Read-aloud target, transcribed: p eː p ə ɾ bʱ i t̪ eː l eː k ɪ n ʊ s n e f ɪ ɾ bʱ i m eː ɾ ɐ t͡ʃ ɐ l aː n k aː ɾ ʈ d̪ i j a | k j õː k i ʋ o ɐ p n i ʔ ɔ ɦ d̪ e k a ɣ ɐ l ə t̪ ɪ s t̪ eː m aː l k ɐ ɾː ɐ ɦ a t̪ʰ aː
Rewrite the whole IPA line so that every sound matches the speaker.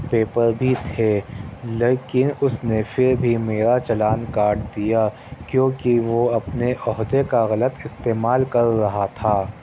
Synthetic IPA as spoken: p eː p ə ɾ bʱ i t̪ʰ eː l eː k ɪ n ʊ s n e f ɪ ɾ bʱ i m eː ɾ a t͡ʃ ɐ l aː n k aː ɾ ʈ d̪ i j a | k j õː k i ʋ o ɐ p n e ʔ ɔ ɦ d̪ e k a ɣ ɐ l ə t̪ ɪ s t̪ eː m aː l k ɐ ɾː ɐ ɦ a t̪ʰ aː